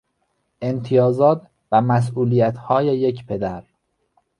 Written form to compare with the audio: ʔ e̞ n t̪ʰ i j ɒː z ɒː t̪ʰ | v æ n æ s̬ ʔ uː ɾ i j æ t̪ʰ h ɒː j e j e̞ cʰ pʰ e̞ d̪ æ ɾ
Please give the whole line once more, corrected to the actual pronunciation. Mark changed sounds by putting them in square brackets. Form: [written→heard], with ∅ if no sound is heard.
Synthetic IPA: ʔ e̞ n t̪ʰ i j ɒː z ɒː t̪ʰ | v æ [n→m] æ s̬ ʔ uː [ɾ→l] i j æ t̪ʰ h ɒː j e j e̞ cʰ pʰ e̞ d̪ æ ɾ